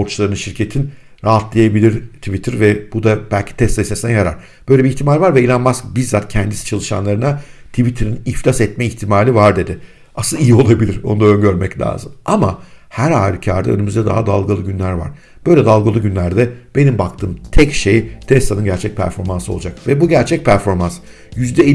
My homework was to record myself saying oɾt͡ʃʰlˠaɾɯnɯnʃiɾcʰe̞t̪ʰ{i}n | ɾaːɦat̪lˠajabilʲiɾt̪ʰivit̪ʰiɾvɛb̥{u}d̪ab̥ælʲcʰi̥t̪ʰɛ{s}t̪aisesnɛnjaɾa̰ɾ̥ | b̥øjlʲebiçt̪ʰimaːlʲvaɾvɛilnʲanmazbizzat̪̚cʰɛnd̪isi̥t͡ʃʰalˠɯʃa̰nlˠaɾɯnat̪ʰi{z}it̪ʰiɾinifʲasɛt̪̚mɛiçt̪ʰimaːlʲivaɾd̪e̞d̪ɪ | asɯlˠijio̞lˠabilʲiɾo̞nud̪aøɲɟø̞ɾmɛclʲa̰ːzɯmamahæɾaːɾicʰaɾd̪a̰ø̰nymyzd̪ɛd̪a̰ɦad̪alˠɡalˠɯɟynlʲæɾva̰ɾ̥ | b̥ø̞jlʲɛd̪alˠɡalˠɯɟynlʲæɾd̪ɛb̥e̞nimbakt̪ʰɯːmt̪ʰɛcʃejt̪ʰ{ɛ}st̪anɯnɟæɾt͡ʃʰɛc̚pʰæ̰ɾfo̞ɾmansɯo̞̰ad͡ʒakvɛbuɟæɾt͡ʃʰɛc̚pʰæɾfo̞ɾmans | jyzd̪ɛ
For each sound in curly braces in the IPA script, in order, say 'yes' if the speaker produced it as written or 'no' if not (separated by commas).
yes, yes, yes, no, yes